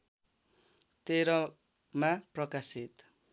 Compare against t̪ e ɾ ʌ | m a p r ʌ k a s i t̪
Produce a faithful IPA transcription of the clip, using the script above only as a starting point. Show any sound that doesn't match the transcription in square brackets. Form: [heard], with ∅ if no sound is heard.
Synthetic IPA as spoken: t̪ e ɾ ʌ | m a p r ʌ k a s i t̪